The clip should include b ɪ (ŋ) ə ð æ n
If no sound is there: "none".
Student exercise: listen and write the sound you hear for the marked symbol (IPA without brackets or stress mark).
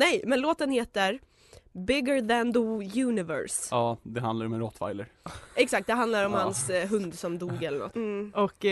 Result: ɡ